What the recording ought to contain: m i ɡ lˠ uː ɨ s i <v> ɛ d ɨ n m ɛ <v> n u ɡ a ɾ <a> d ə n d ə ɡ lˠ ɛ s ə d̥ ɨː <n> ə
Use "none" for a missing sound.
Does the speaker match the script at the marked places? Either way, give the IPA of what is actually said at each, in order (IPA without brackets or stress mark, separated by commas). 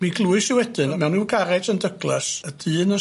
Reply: w, w, ɛ, n